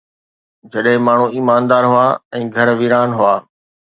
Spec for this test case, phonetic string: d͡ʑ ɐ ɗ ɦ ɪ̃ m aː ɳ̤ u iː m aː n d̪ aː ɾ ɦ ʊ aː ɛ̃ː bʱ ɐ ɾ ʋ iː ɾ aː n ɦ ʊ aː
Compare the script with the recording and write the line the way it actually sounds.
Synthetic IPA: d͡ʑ ɐ ɗ ɦ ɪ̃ m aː ɳ̤ u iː m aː n d̪ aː ɾ ɦ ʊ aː ɛ̃ː ɡʱ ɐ ɾ ʋ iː ɾ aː n ɦ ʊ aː